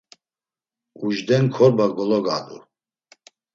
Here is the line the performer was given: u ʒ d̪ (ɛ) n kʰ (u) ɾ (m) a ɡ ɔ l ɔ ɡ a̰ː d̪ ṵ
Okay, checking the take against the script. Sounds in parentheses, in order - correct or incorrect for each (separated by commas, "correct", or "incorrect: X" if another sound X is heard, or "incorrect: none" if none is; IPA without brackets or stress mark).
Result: correct, incorrect: ɔ, incorrect: b